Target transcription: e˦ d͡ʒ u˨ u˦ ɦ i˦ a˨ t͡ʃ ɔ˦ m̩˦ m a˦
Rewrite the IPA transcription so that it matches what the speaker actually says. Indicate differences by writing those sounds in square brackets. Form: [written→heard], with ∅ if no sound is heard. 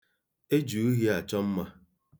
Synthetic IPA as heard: e˦ d͡ʒ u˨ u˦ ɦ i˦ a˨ t͡ʃ ɔ˦ m̩˦ m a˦